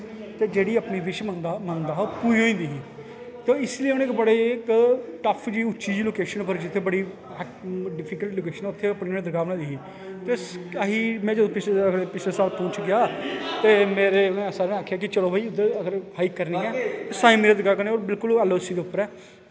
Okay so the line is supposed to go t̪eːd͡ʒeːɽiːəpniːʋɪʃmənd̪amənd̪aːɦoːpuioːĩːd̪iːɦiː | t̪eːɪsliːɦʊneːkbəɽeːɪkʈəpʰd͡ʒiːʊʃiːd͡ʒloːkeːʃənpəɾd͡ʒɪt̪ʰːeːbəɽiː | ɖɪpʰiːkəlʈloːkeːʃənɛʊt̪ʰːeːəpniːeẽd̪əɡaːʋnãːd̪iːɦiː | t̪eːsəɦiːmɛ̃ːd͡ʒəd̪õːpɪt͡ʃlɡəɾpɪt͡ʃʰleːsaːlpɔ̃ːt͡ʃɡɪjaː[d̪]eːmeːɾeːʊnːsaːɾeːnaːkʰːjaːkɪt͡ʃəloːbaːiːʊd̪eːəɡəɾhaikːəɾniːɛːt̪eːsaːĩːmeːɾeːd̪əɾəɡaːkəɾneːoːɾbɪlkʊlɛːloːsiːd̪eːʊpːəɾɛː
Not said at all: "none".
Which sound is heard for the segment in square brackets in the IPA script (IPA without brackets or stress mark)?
t̪